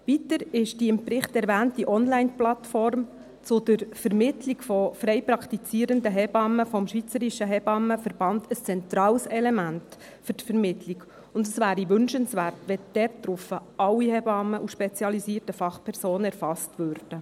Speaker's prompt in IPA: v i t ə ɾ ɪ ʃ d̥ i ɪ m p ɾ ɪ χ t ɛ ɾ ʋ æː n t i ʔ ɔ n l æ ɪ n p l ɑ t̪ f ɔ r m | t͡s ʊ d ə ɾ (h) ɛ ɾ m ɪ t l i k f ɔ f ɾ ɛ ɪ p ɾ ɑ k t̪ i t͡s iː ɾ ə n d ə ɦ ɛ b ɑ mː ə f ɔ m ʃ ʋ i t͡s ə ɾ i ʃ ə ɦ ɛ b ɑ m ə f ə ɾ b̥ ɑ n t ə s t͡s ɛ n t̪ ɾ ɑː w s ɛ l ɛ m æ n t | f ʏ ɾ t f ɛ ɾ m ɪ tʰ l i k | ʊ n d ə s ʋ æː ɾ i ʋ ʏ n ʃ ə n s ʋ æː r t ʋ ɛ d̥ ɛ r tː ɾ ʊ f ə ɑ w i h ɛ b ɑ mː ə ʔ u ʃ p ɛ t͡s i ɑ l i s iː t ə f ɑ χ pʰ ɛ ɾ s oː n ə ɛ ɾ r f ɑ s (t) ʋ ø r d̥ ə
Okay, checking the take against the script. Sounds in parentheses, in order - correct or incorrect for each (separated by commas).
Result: incorrect, correct